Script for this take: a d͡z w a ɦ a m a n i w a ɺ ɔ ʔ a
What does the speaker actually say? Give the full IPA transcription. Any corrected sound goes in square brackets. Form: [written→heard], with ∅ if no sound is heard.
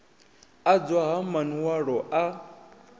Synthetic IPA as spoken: a d͡z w a ɦ a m a n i w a ɺ ɔ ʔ a